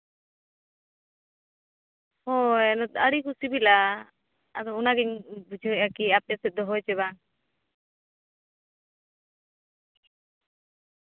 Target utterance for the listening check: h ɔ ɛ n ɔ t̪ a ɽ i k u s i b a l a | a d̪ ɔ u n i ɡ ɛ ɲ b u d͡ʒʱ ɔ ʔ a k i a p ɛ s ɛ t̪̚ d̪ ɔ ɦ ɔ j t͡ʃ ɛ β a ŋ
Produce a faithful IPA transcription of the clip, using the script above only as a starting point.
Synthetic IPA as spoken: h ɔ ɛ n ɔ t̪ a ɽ i k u s i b i l a | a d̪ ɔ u n a ɡ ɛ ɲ b u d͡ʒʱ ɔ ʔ a k i a p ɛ s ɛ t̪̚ d̪ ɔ ɦ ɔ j t͡ʃ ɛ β a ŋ